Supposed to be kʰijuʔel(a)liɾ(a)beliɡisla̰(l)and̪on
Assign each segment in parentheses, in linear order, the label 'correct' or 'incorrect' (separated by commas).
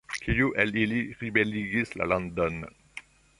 incorrect, incorrect, correct